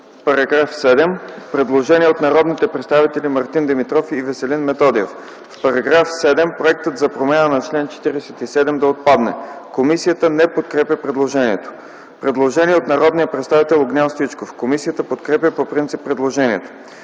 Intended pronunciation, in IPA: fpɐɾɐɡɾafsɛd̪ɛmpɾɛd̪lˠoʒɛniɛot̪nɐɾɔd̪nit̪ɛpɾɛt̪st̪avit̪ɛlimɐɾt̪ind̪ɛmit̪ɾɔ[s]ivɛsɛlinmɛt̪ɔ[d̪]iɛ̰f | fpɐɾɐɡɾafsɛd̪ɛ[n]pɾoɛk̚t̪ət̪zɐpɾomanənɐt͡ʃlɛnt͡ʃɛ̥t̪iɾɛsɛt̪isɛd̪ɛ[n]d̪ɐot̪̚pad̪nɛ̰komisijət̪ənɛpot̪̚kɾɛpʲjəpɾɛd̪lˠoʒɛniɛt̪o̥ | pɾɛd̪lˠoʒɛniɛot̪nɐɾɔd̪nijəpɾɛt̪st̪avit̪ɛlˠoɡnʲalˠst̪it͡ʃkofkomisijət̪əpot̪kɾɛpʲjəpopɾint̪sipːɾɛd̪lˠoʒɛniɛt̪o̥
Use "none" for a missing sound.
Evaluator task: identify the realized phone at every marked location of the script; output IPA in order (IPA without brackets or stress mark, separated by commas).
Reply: f, d̪, m, m